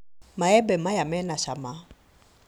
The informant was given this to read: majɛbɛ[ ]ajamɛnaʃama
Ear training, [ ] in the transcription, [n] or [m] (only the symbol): m